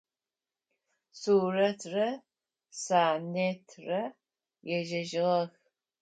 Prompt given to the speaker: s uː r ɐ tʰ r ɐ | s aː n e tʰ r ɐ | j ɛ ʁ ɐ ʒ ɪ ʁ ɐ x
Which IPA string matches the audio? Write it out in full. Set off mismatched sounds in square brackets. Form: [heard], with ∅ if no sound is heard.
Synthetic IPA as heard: s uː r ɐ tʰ r ɐ | s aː n e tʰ r ɐ | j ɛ [ʒ] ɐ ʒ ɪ ʁ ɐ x